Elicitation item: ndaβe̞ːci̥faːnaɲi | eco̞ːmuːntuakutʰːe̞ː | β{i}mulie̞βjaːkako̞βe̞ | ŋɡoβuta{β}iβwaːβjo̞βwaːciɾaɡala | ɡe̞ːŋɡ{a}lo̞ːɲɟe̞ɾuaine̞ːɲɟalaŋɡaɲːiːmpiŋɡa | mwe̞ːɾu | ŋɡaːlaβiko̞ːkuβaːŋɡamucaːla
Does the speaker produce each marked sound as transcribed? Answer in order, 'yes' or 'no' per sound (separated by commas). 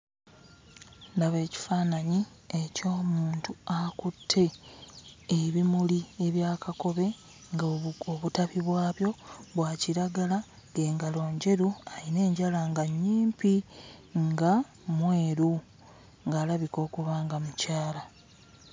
yes, yes, yes